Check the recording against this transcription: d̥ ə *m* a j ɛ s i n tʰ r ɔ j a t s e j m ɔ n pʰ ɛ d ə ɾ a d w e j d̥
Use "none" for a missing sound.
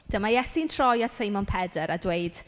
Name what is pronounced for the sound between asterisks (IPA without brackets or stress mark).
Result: m